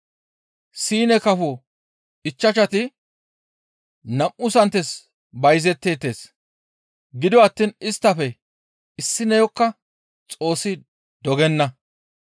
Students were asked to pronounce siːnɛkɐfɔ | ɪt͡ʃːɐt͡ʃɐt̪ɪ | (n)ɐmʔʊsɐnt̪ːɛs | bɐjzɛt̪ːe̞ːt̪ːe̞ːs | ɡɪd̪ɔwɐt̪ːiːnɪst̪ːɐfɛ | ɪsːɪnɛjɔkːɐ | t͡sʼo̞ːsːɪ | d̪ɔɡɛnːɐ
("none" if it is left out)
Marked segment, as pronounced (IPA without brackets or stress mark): n